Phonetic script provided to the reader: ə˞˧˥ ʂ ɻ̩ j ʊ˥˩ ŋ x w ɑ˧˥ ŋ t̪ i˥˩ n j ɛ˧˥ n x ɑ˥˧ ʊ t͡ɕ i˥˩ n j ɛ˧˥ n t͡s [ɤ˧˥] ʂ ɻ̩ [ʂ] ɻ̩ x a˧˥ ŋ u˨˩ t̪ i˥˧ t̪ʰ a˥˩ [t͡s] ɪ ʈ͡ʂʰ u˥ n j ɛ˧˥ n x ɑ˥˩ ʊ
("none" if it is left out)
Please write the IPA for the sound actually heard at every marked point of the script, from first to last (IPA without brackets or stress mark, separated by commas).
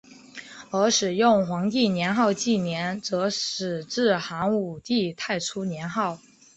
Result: ɤ˧˥, ʈ͡ʂ, none